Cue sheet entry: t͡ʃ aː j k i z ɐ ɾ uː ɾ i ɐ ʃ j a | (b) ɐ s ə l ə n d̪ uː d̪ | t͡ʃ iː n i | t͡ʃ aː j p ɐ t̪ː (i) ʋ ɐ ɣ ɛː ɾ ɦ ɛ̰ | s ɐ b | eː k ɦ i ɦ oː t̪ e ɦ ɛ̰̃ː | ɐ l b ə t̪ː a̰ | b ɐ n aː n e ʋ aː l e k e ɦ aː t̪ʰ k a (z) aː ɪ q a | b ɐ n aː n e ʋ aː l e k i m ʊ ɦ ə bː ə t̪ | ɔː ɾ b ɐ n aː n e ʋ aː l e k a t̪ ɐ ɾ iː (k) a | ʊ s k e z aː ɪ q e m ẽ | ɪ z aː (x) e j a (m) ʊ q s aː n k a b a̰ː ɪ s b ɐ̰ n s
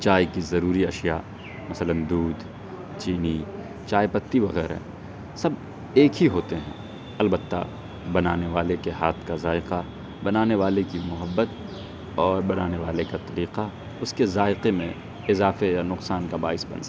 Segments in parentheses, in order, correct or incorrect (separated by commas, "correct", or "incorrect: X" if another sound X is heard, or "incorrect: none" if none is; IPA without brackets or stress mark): incorrect: m, correct, correct, incorrect: q, incorrect: f, incorrect: n